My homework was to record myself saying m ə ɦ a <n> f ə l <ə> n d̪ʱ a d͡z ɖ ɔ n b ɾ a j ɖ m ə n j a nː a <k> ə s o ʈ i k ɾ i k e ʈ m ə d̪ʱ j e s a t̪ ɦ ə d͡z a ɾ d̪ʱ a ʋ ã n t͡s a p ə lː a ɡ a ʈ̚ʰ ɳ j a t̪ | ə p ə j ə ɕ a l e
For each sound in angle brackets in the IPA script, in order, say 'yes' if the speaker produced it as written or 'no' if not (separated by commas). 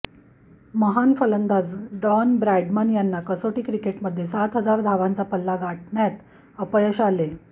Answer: yes, yes, yes